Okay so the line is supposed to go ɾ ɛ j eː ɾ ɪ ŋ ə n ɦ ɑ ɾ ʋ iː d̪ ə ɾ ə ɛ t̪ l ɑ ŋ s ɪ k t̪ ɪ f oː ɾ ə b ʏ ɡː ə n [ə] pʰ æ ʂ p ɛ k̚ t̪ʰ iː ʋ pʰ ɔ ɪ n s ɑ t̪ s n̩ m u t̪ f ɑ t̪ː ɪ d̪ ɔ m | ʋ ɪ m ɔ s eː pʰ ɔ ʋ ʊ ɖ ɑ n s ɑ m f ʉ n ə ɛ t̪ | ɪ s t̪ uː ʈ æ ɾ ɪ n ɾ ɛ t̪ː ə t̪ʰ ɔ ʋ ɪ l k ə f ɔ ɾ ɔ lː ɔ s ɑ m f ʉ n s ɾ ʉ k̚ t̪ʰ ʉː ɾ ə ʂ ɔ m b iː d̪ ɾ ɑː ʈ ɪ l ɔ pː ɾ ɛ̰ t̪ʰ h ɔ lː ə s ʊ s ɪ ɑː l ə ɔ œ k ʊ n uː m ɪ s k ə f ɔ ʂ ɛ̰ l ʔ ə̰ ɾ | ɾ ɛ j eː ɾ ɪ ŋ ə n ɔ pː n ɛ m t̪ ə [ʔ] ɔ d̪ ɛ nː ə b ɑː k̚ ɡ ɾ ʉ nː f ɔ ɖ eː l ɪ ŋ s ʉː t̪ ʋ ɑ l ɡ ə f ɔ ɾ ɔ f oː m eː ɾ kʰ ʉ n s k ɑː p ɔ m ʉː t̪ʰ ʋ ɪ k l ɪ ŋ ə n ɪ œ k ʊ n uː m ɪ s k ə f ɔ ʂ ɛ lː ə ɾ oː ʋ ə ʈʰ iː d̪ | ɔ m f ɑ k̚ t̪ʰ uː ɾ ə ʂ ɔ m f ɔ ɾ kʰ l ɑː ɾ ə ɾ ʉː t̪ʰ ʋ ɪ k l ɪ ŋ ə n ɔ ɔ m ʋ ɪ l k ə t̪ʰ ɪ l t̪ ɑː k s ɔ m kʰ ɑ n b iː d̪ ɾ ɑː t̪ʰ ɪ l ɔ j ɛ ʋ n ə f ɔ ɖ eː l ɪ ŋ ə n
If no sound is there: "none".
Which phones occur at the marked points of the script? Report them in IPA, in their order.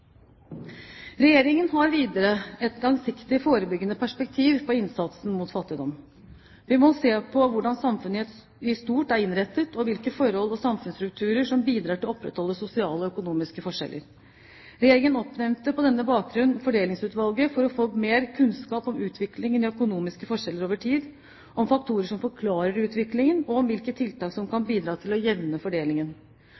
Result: ə, p

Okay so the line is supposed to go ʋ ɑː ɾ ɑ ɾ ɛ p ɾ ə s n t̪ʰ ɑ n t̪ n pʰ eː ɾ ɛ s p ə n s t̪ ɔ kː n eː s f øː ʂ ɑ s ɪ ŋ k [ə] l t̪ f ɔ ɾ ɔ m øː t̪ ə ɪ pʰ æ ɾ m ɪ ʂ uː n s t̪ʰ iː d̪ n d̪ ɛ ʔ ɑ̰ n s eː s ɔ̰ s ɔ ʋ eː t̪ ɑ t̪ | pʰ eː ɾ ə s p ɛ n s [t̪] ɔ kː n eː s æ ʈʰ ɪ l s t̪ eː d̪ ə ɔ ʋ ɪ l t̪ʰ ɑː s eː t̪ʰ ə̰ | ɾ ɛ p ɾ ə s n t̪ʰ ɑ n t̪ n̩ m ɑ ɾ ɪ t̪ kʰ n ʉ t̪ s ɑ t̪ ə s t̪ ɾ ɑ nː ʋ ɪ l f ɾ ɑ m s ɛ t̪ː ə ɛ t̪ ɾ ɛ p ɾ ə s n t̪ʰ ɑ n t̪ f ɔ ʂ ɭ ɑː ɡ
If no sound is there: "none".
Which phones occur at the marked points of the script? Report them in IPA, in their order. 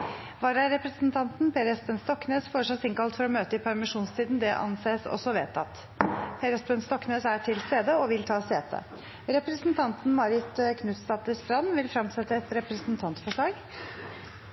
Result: ɑ, t̪

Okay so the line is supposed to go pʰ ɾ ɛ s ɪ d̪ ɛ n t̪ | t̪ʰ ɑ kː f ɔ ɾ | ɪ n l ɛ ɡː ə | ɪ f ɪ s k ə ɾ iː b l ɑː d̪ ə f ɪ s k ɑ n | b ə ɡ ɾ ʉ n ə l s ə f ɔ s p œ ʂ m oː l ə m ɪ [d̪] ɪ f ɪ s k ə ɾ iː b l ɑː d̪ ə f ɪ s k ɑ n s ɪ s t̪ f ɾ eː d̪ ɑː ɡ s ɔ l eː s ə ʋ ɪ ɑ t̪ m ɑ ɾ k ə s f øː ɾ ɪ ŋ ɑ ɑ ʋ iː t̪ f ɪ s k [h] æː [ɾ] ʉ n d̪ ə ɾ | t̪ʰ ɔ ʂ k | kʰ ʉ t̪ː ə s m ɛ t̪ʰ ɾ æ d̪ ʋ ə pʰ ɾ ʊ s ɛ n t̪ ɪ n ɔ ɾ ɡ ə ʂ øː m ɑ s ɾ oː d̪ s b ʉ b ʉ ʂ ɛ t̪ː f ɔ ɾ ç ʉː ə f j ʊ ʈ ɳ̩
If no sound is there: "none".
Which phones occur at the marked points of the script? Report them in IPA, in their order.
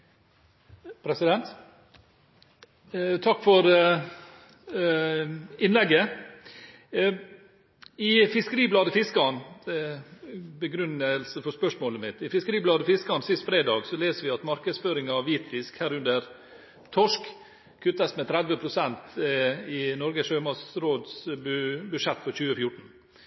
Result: t̪, h, ɾ

